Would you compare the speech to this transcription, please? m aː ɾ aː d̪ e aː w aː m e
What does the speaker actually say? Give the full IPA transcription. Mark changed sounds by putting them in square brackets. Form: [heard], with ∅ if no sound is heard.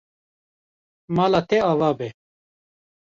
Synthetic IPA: m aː [l] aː [t̪] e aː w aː [b] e